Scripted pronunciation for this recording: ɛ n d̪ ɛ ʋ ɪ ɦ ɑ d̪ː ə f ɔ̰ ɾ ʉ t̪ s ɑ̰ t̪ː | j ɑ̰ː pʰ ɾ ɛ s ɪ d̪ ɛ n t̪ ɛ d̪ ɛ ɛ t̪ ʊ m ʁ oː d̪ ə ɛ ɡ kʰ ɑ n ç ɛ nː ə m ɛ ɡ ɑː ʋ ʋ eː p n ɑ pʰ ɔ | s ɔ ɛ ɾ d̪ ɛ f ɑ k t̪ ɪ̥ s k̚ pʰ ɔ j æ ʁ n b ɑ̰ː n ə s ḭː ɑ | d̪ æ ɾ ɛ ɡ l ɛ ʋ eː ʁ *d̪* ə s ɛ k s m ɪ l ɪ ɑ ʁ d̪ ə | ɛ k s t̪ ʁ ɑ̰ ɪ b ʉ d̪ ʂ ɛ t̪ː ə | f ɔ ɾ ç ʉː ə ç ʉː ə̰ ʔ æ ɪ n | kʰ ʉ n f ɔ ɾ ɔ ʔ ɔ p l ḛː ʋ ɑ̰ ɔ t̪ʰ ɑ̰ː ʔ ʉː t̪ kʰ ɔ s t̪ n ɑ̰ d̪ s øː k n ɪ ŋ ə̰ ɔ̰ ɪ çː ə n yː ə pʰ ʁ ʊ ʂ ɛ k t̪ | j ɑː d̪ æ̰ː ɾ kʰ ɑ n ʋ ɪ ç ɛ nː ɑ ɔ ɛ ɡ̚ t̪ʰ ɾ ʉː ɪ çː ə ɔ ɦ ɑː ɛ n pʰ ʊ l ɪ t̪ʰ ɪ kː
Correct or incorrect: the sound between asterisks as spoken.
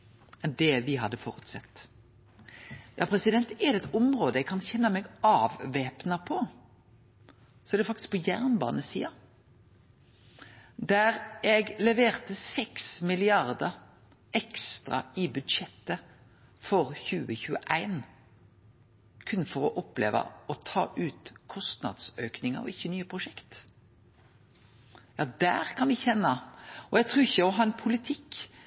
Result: incorrect: t̪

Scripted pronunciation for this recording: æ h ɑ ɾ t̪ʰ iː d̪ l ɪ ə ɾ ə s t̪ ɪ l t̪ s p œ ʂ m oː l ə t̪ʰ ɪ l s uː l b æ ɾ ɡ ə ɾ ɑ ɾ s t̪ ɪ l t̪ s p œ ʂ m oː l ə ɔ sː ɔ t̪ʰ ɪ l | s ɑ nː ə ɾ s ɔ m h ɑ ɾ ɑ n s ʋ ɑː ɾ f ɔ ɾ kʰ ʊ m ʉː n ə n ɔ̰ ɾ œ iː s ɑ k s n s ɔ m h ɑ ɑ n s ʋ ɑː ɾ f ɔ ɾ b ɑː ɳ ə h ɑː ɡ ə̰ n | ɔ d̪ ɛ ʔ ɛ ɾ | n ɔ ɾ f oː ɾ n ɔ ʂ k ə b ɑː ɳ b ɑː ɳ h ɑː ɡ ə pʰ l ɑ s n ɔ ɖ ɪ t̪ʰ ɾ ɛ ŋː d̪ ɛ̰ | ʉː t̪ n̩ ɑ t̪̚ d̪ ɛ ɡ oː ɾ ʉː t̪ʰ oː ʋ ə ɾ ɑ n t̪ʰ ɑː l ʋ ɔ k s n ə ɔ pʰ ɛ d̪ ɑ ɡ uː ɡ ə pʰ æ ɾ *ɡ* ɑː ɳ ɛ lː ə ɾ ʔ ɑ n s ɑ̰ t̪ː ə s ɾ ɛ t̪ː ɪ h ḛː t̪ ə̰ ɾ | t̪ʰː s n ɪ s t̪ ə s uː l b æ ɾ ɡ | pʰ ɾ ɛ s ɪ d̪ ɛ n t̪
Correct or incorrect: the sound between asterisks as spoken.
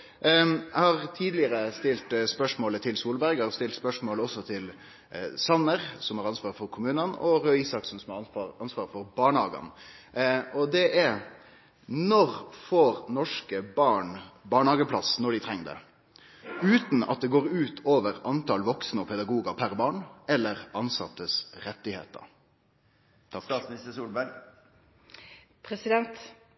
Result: incorrect: b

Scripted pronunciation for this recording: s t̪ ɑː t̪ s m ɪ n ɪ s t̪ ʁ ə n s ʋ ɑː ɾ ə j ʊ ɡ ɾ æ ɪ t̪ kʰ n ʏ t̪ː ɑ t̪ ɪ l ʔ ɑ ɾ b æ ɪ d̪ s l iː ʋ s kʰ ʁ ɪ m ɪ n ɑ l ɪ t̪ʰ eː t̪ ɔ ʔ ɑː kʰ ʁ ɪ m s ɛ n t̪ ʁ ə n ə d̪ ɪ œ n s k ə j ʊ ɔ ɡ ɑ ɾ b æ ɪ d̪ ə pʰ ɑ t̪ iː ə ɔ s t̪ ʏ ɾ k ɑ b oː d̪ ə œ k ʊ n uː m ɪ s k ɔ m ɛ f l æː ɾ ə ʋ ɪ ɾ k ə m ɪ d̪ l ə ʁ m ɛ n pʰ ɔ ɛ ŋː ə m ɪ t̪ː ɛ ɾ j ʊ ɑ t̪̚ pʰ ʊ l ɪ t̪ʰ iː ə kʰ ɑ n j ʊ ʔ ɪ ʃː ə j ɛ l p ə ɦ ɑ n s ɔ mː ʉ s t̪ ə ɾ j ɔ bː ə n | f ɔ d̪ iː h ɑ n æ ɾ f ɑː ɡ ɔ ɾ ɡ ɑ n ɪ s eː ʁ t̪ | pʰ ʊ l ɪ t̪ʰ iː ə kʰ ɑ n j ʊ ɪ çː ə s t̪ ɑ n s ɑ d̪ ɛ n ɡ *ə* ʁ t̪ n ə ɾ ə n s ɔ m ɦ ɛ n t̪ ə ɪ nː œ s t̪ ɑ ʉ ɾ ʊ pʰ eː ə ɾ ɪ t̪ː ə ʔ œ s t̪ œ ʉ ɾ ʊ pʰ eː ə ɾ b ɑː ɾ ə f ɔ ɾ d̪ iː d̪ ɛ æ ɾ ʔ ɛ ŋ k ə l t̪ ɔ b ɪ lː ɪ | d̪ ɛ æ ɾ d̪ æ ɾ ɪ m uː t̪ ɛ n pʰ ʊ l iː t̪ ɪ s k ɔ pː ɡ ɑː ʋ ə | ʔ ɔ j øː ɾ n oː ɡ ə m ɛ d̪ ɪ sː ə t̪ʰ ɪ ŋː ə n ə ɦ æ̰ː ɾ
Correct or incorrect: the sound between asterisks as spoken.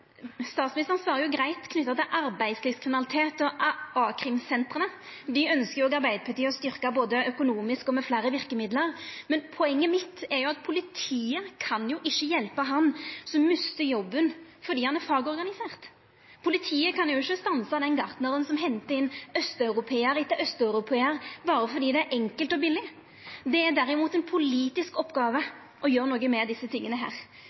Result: incorrect: ɑ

